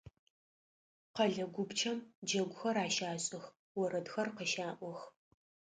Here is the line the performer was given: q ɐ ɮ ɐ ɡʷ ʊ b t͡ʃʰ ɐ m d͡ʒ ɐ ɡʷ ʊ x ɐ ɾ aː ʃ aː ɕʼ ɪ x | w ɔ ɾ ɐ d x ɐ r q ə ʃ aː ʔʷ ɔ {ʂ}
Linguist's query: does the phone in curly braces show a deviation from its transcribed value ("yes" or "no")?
yes